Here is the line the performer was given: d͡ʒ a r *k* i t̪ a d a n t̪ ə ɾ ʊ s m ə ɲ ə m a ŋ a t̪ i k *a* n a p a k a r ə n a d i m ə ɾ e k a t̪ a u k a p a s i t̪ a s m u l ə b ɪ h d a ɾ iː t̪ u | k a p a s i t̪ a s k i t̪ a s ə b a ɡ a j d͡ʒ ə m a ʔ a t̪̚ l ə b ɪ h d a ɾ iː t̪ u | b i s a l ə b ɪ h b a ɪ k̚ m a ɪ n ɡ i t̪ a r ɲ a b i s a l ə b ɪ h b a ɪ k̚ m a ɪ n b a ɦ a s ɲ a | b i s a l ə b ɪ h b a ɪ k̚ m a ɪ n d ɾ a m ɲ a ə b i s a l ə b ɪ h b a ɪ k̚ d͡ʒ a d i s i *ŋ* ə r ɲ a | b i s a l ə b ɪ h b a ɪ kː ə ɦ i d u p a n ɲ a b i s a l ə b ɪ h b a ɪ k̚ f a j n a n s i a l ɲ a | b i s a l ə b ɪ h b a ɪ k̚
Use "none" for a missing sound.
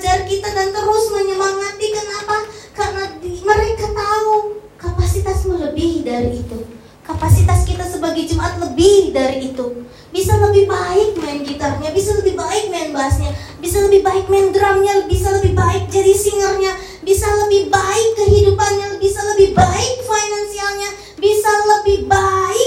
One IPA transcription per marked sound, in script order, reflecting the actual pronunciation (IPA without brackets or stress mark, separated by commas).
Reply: k, ə, ŋ